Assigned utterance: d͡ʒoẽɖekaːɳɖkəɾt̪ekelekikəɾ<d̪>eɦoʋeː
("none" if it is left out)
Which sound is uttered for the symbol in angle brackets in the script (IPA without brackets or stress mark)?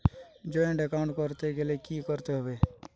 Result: t̪